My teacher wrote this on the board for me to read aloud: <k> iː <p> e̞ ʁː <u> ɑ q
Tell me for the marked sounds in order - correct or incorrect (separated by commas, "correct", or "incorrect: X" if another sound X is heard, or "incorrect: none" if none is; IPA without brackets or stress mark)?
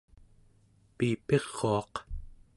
incorrect: p, correct, incorrect: o